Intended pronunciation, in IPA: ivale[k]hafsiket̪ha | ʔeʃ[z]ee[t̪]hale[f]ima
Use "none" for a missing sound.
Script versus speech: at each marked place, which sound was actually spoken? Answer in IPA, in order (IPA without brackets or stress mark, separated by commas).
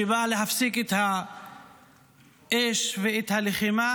none, v, t̪, χ